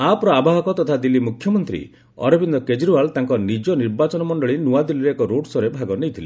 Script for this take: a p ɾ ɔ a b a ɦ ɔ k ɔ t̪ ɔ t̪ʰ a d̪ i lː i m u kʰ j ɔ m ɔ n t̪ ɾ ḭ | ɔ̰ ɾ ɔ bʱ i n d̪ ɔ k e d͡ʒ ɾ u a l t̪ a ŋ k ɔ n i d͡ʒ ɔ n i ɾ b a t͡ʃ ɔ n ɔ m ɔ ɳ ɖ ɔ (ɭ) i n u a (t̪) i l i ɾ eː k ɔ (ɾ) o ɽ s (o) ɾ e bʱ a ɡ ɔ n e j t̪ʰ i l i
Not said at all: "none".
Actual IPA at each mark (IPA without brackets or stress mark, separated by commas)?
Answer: ɭ, d̪, ɾ, ɔ